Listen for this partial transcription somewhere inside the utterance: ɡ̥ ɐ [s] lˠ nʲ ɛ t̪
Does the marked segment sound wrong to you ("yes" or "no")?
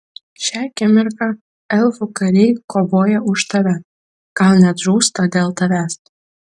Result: yes